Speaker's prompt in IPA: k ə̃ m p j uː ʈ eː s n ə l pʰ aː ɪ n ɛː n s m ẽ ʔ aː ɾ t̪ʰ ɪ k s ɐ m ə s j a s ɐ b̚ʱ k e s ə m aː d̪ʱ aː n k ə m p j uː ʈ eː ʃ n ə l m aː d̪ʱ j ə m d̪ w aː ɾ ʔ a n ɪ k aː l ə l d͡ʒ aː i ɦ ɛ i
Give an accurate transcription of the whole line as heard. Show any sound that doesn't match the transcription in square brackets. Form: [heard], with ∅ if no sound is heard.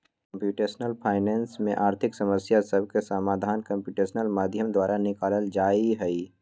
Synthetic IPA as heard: k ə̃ m p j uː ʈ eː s n ə l pʰ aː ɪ n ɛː n s m ẽ ʔ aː ɾ t̪ʰ ɪ k s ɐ m ə s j a s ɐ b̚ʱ k e s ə m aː d̪ʱ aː n k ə m p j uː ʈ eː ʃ n ə l m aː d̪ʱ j ə m d̪ w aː ɾ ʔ a n ɪ k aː l ə l d͡ʒ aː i ɦ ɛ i